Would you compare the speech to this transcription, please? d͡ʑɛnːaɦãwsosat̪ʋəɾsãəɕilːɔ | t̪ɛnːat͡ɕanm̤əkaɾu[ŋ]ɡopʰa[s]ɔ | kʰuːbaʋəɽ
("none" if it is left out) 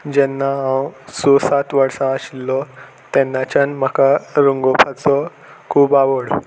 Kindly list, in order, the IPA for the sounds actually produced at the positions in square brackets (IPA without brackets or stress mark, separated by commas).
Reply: ŋ, t͡s